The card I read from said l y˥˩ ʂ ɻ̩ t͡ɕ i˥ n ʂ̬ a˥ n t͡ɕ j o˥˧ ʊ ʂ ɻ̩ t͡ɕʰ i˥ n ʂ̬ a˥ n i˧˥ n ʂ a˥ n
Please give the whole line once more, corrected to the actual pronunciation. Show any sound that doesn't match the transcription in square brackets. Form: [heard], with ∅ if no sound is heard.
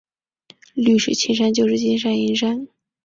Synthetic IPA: l y˥˩ ʂ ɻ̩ [t͡ɕʰ] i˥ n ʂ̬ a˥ n t͡ɕ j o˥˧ ʊ ʂ ɻ̩ [t͡ɕ] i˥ n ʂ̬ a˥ n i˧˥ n ʂ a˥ n